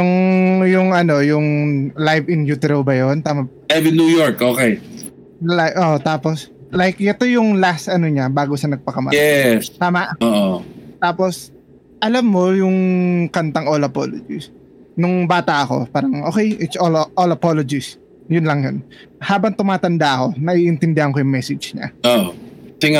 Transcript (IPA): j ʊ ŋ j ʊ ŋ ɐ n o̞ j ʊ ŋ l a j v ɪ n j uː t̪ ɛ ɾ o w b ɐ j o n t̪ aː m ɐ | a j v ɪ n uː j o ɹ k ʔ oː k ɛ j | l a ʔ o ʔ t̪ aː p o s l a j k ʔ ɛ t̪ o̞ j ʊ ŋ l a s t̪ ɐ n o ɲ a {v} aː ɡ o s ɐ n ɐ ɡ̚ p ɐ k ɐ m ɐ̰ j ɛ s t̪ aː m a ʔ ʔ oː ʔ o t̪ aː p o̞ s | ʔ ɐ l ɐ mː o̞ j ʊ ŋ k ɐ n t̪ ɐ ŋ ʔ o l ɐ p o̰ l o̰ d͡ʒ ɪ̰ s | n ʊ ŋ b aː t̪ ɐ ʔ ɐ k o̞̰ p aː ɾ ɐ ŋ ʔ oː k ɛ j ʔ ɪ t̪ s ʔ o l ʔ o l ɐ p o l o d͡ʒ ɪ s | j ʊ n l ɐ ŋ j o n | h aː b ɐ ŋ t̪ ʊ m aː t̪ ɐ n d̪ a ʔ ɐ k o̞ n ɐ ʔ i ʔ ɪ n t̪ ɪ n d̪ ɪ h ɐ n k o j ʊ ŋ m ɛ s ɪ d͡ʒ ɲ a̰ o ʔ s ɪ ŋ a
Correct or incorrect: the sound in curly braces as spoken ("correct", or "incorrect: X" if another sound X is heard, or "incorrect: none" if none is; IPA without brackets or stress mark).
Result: incorrect: b